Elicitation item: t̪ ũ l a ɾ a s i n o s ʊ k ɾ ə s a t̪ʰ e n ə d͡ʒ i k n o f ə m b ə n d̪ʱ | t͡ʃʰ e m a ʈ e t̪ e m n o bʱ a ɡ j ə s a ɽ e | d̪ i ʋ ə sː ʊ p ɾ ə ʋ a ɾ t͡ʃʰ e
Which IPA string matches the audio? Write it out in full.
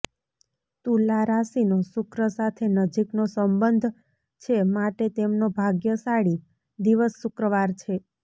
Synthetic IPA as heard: t̪ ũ l a ɾ a s i n o s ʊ k ɾ ə s a t̪ʰ e n ə d͡ʒ i k n o s ə m b ə n d̪ʱ | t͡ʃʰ e m a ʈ e t̪ e m n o bʱ a ɡ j ə s a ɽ i | d̪ i ʋ ə sː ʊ k ɾ ə ʋ a ɾ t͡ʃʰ e